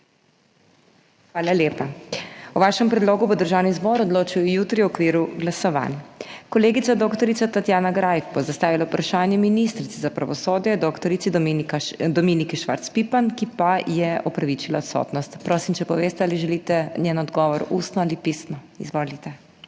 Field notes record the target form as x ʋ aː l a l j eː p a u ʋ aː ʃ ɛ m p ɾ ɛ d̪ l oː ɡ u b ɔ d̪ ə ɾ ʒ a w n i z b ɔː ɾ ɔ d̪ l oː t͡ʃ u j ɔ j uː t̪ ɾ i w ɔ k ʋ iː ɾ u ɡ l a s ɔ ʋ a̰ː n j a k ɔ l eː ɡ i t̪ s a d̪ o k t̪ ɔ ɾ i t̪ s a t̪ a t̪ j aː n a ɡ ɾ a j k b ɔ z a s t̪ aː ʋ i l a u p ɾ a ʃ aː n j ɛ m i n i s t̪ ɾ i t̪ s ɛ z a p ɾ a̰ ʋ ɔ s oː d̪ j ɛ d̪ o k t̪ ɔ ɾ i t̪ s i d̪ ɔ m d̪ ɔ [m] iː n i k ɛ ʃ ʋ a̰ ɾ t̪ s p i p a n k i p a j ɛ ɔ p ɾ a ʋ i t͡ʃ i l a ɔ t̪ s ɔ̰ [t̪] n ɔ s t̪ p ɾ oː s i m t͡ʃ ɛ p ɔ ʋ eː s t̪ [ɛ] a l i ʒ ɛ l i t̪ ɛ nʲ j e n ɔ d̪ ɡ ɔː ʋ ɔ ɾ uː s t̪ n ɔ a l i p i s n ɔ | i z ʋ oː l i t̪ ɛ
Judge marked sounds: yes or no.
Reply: yes, yes, yes

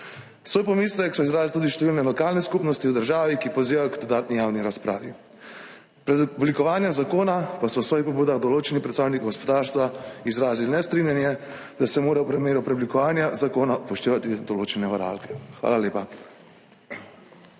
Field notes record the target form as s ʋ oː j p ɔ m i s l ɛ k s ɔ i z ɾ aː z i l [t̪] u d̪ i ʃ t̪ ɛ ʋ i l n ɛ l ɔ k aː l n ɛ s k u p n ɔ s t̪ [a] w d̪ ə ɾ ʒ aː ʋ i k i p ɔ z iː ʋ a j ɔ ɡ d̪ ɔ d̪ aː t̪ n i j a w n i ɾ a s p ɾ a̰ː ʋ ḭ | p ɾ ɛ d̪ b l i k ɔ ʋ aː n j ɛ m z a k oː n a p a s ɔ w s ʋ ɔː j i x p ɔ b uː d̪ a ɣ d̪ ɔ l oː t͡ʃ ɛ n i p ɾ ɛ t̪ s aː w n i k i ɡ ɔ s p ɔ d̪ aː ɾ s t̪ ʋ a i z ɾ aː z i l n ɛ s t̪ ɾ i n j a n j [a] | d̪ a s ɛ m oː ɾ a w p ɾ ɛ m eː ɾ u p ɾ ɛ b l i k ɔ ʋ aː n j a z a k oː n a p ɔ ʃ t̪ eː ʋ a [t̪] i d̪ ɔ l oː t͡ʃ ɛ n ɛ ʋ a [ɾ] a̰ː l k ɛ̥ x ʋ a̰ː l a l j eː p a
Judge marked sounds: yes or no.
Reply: yes, no, no, yes, yes

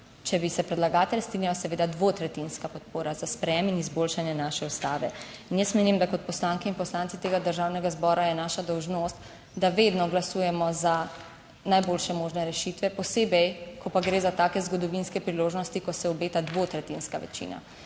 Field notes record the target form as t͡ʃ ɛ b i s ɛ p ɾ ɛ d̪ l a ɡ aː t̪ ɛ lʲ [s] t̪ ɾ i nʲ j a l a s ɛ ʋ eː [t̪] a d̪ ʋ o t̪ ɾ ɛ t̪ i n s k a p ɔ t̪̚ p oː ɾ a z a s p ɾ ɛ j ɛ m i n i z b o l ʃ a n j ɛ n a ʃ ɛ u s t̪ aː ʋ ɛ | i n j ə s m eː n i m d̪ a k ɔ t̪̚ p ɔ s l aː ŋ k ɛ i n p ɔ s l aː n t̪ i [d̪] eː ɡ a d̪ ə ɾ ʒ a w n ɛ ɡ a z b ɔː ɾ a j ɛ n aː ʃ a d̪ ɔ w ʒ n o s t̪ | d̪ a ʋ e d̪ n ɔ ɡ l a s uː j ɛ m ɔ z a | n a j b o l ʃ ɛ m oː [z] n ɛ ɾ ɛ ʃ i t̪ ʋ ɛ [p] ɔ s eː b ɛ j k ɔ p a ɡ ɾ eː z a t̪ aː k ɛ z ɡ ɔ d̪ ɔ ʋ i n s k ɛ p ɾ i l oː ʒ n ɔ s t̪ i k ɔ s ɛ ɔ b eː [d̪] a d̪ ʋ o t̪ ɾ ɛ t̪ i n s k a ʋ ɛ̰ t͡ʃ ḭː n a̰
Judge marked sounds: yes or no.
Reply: yes, no, no, no, yes, no

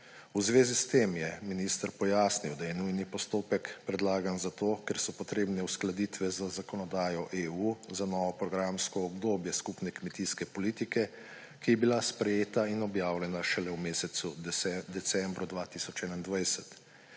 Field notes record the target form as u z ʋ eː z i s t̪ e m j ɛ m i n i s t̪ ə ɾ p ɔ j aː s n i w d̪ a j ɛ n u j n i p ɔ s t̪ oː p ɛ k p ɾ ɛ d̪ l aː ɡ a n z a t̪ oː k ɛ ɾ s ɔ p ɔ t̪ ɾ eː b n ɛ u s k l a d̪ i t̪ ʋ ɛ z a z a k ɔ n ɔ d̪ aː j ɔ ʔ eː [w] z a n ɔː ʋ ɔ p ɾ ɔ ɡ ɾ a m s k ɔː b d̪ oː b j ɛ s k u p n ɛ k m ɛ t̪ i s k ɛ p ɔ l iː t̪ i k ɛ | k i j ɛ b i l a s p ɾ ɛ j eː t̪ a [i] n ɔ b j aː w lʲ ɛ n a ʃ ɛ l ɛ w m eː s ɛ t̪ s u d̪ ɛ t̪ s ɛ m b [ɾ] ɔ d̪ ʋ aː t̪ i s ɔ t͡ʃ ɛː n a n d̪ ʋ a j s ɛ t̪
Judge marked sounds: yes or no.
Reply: no, yes, yes

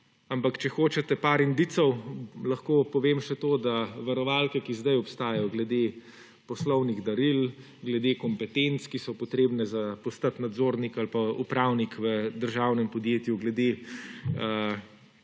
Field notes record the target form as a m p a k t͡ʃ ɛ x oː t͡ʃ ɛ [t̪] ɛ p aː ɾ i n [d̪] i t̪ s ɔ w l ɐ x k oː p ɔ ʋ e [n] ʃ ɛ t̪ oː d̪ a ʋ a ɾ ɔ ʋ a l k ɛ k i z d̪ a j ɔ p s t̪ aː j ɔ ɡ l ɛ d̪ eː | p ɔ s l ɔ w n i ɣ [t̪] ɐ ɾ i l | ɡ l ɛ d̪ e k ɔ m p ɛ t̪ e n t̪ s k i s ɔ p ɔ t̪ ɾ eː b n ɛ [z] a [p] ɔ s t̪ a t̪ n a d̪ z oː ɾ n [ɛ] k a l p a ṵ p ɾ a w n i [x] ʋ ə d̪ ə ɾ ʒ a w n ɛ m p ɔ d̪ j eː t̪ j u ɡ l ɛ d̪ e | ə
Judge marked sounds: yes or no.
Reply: yes, yes, no, no, yes, yes, no, no

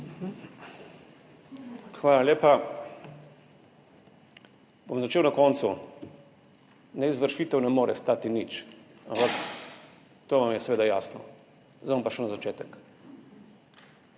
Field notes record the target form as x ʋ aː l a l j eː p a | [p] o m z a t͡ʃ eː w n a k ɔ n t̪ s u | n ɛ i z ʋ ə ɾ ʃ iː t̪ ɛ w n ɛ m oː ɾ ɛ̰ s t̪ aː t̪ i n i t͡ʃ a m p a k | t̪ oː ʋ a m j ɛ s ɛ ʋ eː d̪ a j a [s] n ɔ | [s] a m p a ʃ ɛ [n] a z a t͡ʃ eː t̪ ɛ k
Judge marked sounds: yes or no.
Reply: no, yes, no, yes

